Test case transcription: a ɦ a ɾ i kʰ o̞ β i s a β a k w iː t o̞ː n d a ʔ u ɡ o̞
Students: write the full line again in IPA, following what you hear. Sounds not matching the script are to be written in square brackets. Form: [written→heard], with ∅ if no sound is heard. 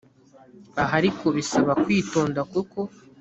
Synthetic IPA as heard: a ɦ a ɾ i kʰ o̞ β i s a β a k w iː t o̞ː n d a [ʔ→k] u [ɡ→k] o̞